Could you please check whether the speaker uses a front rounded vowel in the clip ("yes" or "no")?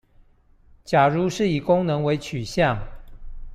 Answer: yes